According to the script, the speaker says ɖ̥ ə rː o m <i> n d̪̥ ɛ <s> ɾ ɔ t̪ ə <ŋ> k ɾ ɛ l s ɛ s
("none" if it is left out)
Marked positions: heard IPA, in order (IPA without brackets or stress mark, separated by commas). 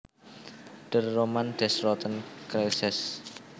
a, s, n